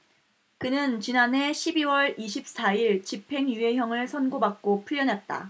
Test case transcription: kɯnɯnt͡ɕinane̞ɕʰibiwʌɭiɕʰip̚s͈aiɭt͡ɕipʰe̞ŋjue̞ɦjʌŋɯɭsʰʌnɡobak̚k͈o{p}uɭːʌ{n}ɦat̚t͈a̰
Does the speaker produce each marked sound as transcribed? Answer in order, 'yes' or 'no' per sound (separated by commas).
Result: no, yes